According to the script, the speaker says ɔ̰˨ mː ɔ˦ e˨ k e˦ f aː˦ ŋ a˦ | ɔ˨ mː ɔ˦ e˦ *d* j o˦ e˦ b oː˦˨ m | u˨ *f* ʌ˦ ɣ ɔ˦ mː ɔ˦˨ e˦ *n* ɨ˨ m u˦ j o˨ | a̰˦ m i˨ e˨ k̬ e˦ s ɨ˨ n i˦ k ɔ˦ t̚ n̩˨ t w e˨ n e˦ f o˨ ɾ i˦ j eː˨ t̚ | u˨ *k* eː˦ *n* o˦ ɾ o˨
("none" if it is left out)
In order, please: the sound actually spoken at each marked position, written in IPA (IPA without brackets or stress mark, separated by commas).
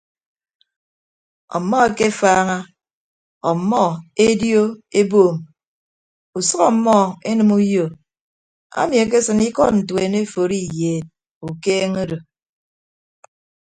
d, s, n, k, ŋ